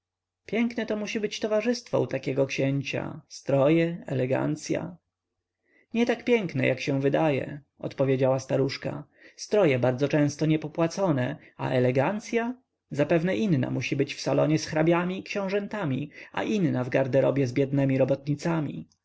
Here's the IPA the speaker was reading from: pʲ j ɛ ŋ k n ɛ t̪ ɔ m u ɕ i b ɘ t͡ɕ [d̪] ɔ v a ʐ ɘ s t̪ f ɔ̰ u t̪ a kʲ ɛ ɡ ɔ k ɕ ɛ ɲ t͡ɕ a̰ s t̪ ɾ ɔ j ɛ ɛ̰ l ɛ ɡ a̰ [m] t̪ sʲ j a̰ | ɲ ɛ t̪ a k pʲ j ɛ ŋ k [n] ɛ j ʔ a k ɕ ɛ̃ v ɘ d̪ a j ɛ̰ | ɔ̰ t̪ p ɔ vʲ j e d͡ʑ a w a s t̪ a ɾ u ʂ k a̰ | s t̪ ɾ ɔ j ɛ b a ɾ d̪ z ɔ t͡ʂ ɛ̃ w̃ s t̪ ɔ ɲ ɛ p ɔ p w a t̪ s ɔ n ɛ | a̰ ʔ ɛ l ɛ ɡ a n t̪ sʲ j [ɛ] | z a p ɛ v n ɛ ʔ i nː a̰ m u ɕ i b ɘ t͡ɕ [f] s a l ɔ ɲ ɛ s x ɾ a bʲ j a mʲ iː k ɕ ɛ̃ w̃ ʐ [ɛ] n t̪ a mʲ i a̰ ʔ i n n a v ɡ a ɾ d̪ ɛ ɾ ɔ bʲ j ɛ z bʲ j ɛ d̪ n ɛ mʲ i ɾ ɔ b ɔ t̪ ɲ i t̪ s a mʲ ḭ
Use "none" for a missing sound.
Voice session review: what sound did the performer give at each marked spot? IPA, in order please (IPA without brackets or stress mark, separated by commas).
t̪, n, n, a, f, ɛ